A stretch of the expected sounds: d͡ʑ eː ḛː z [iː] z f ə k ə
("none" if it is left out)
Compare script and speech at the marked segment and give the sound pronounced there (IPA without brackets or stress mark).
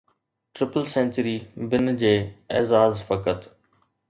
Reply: aː